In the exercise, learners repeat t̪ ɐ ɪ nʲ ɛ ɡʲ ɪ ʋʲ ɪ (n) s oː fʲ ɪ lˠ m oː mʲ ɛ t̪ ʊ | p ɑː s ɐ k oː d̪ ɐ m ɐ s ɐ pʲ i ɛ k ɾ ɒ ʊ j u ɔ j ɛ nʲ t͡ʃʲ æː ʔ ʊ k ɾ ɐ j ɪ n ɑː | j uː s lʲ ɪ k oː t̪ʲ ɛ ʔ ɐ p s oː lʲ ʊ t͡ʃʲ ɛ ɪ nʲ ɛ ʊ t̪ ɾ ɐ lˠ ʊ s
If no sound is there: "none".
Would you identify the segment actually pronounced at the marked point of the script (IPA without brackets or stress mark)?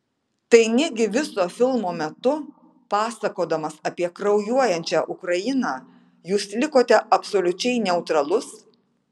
none